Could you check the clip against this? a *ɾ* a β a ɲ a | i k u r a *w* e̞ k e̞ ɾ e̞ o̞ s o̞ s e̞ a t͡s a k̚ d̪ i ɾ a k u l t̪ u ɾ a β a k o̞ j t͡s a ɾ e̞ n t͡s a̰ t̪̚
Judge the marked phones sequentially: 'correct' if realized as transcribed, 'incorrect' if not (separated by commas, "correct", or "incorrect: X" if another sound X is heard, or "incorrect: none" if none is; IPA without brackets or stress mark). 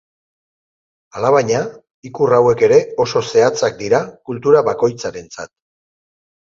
incorrect: l, correct